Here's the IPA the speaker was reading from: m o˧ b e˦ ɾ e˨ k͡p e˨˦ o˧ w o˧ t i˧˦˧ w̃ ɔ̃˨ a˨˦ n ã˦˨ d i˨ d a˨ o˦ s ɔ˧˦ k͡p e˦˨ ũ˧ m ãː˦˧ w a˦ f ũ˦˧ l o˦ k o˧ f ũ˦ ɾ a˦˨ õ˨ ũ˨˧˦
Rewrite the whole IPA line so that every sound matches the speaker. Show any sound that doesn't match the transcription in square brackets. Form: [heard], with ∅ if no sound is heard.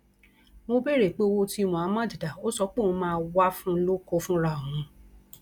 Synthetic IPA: m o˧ b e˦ ɾ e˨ k͡p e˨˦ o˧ w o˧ t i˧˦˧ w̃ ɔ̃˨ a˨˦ [m] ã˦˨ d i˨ d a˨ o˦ s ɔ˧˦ k͡p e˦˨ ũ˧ m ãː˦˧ w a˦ f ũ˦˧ l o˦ k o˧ f ũ˦ ɾ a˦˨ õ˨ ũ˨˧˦